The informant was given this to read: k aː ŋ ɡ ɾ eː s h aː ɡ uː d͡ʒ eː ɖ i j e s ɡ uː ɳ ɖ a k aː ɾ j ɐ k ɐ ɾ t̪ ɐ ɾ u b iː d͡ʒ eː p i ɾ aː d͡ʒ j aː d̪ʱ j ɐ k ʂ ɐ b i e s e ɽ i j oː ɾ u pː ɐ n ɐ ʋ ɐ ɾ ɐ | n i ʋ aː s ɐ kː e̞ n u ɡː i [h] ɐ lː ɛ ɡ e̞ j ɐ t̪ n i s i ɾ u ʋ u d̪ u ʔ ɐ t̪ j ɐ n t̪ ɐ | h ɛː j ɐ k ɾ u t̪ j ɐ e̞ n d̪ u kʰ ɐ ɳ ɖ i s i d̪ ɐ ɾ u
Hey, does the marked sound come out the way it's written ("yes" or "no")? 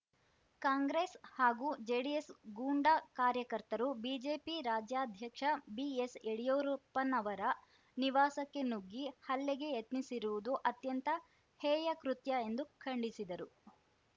yes